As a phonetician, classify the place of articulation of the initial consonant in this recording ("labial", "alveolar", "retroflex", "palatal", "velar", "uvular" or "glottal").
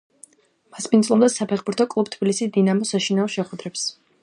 labial